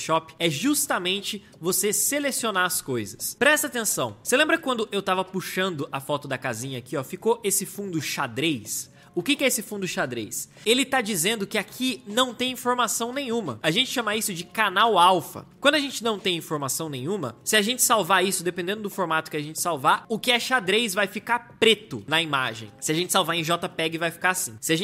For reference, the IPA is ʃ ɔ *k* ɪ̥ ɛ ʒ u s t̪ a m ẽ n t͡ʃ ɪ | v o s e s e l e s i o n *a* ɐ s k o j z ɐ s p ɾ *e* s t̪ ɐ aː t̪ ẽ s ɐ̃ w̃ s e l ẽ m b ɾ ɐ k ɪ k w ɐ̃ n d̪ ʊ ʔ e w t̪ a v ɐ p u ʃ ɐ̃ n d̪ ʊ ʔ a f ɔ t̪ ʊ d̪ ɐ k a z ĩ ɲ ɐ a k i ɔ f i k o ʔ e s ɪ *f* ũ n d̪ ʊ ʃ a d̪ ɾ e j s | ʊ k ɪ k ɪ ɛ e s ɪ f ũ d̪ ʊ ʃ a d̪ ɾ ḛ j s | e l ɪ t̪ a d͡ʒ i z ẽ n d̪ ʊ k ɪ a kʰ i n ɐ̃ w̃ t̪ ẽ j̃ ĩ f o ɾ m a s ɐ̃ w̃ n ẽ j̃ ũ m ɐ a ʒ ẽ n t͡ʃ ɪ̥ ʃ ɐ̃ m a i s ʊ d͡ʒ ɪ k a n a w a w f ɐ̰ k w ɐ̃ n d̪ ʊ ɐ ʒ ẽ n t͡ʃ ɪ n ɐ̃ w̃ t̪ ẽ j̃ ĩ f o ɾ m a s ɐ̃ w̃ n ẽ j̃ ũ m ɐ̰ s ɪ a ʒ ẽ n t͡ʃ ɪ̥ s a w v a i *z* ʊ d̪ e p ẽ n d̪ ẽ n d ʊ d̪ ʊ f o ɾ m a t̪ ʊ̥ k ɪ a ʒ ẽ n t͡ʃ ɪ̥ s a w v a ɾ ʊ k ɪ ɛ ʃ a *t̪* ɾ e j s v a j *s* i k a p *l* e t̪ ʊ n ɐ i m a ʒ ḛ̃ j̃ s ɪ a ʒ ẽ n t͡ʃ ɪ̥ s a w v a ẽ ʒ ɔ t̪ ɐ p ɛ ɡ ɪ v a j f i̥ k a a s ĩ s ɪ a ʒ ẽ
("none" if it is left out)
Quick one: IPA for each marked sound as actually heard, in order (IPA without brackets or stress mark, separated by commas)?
p, a, ɛ, f, s, d̪, f, ɾ